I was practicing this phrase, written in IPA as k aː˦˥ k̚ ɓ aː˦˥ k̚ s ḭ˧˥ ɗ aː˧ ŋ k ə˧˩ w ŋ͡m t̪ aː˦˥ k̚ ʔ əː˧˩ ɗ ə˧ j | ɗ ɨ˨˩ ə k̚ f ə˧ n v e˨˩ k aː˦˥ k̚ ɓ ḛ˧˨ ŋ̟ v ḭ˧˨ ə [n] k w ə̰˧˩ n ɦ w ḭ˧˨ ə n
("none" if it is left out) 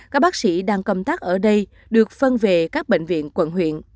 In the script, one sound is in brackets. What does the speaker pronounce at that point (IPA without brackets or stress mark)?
n